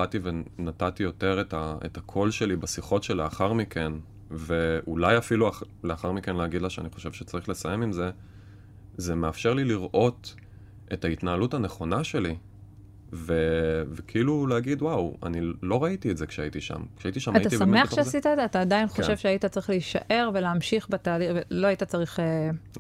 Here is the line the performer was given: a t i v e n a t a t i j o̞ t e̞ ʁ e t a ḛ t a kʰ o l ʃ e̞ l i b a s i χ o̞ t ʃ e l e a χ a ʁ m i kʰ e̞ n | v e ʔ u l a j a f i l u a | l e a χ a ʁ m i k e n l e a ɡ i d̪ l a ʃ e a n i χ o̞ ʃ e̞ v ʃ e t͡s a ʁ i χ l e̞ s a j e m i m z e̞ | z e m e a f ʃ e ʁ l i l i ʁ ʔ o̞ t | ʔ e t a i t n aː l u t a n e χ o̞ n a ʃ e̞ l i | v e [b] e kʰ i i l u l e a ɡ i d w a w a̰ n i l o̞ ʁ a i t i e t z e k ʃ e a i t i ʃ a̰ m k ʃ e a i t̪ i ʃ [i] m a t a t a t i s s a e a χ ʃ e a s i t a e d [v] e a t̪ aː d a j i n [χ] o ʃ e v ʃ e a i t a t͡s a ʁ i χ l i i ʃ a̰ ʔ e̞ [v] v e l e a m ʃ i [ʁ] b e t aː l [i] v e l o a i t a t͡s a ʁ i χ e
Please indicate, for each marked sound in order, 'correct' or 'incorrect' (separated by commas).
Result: incorrect, incorrect, incorrect, correct, incorrect, incorrect, correct